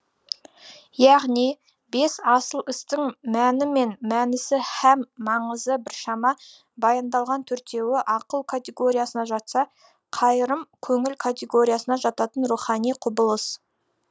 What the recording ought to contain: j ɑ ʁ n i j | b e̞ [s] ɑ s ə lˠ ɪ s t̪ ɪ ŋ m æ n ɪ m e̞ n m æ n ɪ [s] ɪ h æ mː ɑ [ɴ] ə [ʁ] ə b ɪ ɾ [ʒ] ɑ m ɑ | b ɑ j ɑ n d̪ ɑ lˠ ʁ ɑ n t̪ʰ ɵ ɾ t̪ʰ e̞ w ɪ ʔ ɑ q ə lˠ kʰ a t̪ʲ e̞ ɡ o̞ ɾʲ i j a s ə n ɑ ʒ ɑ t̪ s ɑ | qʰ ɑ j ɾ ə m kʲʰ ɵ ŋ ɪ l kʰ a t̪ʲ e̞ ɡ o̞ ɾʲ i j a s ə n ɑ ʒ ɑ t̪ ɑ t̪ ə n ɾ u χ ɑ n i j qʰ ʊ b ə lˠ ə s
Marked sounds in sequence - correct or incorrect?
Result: correct, correct, correct, incorrect: z, incorrect: ʃ

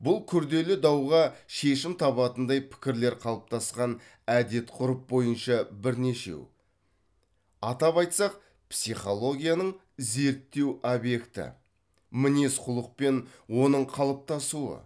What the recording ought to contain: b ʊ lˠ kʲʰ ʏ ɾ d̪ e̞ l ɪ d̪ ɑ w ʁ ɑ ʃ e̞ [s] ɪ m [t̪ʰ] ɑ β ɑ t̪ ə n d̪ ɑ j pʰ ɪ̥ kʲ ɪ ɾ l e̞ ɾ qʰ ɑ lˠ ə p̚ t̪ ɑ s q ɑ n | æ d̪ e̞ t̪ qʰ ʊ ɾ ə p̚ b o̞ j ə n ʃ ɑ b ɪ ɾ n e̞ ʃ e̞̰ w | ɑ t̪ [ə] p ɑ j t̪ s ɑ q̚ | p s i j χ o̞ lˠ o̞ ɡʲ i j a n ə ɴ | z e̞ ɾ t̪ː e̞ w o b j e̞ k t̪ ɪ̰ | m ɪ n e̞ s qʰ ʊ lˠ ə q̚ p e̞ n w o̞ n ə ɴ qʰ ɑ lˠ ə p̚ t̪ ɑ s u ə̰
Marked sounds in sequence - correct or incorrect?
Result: incorrect: ʃ, correct, incorrect: ɑ

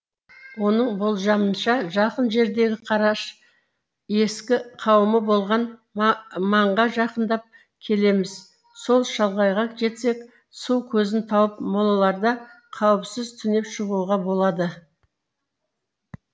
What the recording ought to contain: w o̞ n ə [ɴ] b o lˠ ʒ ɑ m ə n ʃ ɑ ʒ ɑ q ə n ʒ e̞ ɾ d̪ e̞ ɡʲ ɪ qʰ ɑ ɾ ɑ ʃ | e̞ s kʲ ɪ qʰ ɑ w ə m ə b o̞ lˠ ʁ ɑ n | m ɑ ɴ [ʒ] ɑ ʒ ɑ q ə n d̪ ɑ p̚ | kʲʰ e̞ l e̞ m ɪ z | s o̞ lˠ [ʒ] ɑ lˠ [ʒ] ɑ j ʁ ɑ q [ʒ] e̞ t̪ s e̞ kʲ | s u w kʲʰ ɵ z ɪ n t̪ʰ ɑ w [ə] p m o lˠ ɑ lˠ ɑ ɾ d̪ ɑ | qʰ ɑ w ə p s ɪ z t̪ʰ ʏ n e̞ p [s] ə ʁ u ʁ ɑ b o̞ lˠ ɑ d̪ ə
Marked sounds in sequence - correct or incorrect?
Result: correct, incorrect: ʁ, incorrect: ʃ, incorrect: ʁ, correct, correct, incorrect: ʃ

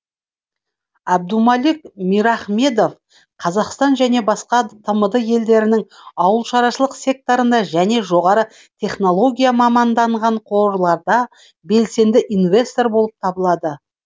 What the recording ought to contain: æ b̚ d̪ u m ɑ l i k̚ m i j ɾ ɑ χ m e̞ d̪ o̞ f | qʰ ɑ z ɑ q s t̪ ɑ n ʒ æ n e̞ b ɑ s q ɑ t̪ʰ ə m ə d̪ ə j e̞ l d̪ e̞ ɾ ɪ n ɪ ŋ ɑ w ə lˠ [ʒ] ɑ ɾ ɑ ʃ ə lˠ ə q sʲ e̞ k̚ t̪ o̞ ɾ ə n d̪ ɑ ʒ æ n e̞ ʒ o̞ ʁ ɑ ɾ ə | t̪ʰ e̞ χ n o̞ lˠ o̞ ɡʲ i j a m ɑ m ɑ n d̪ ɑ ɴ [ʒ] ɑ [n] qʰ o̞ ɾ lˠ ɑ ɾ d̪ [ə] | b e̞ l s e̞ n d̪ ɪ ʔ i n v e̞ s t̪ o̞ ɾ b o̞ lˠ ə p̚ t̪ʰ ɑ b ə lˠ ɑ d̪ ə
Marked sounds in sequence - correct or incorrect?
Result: incorrect: ʃ, incorrect: ʁ, incorrect: ɴ, incorrect: ɑ

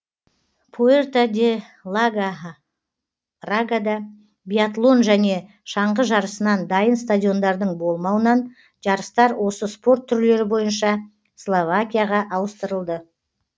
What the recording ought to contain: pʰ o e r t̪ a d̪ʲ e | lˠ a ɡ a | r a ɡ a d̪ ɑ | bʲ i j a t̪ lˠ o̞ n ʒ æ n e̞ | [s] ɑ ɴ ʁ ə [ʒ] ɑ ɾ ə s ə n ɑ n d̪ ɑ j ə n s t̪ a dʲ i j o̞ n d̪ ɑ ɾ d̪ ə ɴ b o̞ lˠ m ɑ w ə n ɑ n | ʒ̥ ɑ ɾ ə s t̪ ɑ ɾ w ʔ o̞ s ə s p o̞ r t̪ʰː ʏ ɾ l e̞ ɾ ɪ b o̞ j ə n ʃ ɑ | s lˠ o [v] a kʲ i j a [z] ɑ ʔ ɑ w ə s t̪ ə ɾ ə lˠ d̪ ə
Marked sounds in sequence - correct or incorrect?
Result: incorrect: ʃ, correct, correct, incorrect: ʁ

